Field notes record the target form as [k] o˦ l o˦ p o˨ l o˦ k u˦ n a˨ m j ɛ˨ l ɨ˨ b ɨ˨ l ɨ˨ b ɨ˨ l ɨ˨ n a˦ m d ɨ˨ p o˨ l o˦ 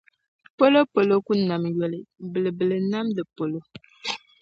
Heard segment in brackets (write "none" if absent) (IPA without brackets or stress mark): p